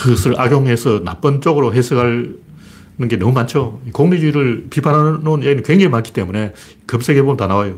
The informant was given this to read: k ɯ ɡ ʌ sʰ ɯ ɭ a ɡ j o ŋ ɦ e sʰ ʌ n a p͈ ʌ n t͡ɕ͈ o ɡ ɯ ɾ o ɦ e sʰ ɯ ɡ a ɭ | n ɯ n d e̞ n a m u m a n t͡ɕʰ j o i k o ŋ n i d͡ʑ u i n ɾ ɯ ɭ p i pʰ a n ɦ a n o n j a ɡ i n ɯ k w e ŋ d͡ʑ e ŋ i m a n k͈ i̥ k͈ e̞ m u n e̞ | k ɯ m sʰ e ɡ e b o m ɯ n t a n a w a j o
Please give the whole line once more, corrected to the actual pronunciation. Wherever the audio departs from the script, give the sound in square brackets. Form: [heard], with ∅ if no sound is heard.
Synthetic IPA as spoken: k ɯ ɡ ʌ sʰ ɯ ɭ a ɡ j o ŋ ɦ e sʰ ʌ n a p͈ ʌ n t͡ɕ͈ o ɡ ɯ ɾ o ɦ e sʰ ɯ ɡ a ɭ | n ɯ n [ɡ] e̞ n [ʌ] m u m a n t͡ɕʰ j o i k o ŋ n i d͡ʑ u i [∅] ɾ ɯ ɭ p i pʰ a n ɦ a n o n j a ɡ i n ɯ k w e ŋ d͡ʑ e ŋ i m a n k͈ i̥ [t͈] e̞ m u n e̞ | k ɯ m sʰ e ɡ e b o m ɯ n t a n a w a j o